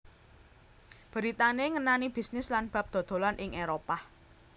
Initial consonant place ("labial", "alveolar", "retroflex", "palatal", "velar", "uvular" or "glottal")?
labial